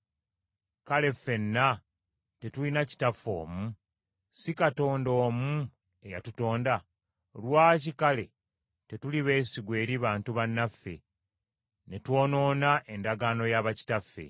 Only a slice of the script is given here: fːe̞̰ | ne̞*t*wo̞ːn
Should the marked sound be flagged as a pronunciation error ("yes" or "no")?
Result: no